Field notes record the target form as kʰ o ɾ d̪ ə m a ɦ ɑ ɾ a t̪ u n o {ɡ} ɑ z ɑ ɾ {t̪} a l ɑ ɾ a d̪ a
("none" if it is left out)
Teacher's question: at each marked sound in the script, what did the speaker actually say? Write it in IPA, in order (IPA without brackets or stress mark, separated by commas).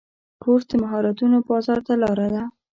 b, t̪